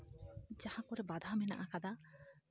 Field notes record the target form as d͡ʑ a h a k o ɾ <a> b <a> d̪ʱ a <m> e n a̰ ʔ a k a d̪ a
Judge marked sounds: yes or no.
no, yes, yes

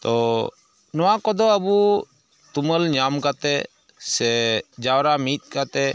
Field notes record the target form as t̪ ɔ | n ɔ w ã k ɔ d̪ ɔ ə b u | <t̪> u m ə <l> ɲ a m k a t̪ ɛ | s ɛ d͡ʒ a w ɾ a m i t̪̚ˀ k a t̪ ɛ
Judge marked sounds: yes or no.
yes, yes

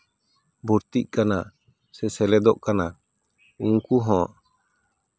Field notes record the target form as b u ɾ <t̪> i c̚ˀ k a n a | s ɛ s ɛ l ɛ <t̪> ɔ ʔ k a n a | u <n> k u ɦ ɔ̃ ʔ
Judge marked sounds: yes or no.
yes, no, no

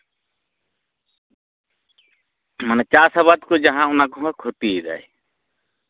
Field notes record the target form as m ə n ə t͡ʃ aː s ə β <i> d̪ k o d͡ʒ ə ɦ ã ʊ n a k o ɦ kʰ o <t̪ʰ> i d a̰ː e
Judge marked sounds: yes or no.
no, no

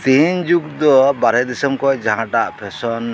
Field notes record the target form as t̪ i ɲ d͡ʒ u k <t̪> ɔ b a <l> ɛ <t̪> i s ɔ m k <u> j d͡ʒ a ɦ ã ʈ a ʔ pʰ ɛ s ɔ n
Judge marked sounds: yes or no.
no, no, no, no

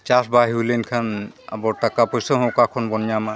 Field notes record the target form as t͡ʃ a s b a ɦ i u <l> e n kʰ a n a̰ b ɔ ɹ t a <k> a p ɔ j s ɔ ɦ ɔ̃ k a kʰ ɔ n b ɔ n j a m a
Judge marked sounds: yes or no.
yes, yes

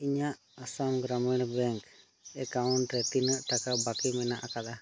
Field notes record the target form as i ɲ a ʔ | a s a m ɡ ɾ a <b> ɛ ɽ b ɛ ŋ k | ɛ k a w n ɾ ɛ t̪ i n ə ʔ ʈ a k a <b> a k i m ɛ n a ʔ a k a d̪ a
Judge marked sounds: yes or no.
no, yes

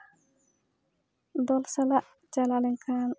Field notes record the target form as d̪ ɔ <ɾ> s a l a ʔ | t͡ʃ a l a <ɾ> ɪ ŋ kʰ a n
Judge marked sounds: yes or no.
no, no

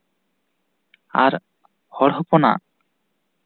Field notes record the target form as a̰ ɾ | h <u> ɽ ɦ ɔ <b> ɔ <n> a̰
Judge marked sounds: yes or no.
no, no, yes

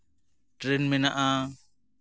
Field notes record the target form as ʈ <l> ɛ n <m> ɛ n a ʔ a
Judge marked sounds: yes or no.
no, yes

